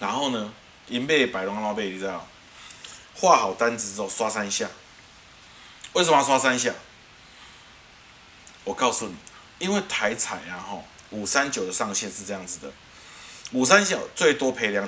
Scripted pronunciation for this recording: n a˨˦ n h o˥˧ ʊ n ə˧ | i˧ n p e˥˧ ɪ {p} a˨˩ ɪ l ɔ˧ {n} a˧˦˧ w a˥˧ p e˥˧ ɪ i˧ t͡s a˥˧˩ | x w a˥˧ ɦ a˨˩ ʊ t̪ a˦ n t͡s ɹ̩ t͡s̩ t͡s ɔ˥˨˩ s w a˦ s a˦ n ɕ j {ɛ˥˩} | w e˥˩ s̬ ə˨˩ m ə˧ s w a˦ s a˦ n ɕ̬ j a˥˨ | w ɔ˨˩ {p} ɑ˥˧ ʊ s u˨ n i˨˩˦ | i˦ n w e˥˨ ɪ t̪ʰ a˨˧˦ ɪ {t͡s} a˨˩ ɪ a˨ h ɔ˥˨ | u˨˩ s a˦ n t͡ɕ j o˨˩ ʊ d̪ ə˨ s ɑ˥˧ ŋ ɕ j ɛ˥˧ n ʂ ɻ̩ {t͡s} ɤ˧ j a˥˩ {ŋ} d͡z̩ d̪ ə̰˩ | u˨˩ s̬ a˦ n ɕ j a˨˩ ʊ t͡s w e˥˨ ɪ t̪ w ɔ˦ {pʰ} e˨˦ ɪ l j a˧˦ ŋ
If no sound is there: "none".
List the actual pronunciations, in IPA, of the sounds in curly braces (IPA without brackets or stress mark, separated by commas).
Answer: p, ŋ, a˥˩, k, t͡sʰ, t͡s, ŋ, pʰ